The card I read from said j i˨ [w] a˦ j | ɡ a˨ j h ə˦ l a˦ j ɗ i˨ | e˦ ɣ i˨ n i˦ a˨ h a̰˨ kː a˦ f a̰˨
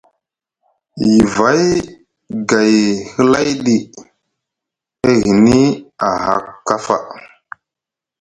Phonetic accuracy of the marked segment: incorrect: v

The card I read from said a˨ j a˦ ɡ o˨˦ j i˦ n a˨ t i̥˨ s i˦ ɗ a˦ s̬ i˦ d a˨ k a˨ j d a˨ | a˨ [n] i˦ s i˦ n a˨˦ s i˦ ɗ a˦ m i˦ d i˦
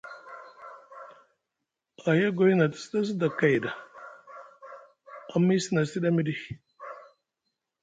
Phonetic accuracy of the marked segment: incorrect: m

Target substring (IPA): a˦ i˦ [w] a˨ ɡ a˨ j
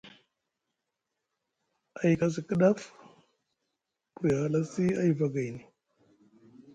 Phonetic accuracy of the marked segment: incorrect: v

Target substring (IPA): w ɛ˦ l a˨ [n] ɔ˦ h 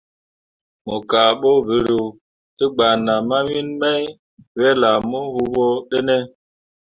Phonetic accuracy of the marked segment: incorrect: m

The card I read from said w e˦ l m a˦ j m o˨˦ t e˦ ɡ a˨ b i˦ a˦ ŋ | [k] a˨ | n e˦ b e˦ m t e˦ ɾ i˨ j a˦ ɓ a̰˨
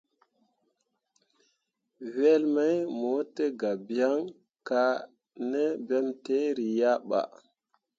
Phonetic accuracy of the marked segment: correct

